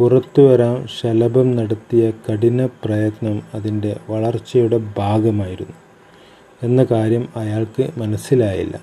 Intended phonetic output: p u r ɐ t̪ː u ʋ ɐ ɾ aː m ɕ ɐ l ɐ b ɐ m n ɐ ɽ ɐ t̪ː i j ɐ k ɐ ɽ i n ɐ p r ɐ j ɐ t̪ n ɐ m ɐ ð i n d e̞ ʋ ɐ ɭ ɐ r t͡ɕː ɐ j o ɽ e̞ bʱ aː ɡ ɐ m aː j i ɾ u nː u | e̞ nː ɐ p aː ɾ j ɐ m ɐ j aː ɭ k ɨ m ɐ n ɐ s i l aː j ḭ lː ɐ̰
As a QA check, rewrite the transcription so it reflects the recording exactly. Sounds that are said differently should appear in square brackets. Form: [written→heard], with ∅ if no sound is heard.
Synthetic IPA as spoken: p u r ɐ t̪ː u ʋ ɐ ɾ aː m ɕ ɐ l ɐ b ɐ m n ɐ ɽ ɐ t̪ː i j ɐ k ɐ ɽ i n ɐ p r ɐ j ɐ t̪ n ɐ m ɐ ð i n d e̞ ʋ ɐ ɭ ɐ r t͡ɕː ɐ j [o→u] ɽ e̞ bʱ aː ɡ ɐ m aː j i ɾ u nː u | e̞ nː ɐ [p→k] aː ɾ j ɐ m ɐ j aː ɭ k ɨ m ɐ n ɐ s i l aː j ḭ lː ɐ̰